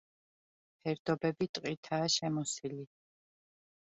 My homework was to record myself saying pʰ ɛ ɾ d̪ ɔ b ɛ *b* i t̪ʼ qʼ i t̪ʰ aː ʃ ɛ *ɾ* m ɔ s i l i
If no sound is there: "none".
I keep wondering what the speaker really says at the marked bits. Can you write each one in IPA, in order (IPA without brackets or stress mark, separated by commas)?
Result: b, none